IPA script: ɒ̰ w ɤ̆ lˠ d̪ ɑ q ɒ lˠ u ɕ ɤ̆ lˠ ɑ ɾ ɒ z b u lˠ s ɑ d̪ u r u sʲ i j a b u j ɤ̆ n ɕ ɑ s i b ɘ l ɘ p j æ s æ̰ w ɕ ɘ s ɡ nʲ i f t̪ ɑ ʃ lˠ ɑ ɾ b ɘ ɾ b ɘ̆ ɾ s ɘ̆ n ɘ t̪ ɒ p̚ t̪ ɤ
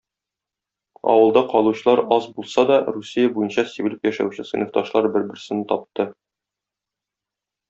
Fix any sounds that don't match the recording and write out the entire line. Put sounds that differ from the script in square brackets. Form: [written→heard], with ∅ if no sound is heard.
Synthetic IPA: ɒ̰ w ɤ̆ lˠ d̪ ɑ q ɒ lˠ u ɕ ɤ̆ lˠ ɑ ɾ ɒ z b u lˠ s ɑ d̪ [u→ɒ] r u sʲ i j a b u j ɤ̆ n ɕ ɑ s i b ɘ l ɘ p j æ [s→ʃ] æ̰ w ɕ ɘ s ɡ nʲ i f t̪ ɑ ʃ lˠ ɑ ɾ b ɘ ɾ b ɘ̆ ɾ s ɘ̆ n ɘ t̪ ɒ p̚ t̪ ɤ